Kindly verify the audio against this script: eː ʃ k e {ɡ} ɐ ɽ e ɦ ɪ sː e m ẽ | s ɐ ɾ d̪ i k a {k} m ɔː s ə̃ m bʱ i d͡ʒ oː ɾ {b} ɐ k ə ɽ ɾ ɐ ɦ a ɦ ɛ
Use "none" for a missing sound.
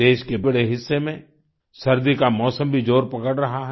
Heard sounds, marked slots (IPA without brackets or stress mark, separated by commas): b, none, p